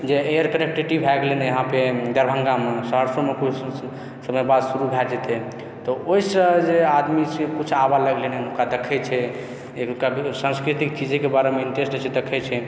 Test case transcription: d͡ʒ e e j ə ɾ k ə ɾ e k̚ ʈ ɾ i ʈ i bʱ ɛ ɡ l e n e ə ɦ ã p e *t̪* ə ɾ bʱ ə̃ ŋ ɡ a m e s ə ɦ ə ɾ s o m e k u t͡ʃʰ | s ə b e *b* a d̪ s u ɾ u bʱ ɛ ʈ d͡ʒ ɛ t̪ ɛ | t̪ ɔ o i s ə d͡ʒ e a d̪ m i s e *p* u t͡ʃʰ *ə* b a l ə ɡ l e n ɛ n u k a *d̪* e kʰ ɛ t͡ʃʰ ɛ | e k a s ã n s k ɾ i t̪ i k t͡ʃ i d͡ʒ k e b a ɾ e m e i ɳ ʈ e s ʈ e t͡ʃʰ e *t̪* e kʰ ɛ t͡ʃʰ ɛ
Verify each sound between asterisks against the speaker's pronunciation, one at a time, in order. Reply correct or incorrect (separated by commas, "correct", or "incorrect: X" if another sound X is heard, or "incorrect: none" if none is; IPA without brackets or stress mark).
incorrect: d̪, correct, incorrect: k, incorrect: a, correct, incorrect: d̪